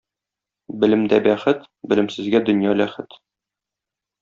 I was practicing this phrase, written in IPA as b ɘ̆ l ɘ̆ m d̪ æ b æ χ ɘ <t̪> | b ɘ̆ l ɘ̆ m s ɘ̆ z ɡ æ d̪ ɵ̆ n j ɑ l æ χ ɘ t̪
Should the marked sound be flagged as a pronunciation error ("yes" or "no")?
no